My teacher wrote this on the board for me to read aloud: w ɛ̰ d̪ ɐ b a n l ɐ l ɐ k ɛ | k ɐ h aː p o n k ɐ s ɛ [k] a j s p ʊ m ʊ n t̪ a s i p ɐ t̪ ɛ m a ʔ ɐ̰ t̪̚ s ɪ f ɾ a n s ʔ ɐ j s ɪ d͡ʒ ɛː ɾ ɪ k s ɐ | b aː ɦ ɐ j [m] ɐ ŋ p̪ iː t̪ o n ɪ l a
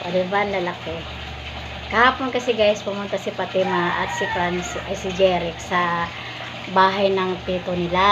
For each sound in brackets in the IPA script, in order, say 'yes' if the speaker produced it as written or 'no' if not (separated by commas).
no, no